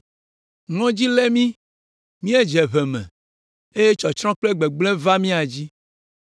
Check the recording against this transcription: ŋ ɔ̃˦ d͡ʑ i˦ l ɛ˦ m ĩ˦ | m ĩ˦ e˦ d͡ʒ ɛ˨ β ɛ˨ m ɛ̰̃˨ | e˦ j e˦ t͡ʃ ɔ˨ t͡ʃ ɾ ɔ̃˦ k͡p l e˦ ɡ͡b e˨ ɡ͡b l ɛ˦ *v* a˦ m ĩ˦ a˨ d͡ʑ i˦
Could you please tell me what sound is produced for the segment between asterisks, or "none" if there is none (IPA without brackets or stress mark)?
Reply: v